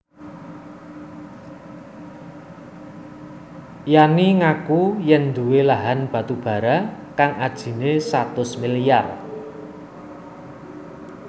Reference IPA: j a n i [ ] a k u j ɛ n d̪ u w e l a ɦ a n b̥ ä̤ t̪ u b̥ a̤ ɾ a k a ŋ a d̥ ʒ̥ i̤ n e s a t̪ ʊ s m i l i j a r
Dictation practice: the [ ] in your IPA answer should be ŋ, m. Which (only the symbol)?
ŋ